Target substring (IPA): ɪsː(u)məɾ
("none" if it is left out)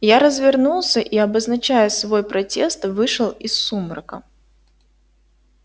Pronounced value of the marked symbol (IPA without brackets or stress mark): u